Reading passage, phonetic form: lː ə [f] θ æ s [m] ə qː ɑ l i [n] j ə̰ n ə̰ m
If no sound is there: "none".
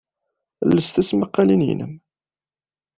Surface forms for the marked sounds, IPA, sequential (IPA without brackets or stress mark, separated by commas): s, m, n